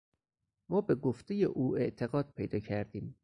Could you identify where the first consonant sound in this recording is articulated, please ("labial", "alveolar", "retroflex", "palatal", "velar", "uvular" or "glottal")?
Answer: labial